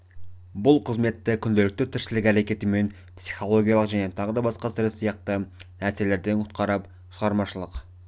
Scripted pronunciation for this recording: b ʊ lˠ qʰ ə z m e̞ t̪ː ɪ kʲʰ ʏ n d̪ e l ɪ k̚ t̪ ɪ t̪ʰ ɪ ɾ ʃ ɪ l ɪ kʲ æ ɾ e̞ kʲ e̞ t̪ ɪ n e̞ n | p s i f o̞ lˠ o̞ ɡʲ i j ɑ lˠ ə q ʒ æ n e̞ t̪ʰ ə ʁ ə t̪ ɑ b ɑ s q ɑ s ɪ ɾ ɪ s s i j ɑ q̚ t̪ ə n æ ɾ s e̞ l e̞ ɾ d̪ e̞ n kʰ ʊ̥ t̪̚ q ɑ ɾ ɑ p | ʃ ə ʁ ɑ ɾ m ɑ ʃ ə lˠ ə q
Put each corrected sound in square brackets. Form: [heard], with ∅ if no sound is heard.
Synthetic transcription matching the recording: b ʊ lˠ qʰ ə z m e̞ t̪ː ɪ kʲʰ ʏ n d̪ e l ɪ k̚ t̪ ɪ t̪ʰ ɪ ɾ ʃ ɪ l ɪ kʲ æ ɾ e̞ kʲ e̞ t̪ ɪ [m] e̞ n | p s i [χ] o̞ lˠ o̞ ɡʲ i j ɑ lˠ ə q ʒ æ n e̞ t̪ʰ [ɑ] ʁ ə [d̪] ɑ b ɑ s q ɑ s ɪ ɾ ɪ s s i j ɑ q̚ t̪ ə n æ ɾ s e̞ l e̞ ɾ d̪ e̞ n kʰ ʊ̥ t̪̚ q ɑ ɾ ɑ p | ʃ ə ʁ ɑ ɾ m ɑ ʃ ə lˠ ə q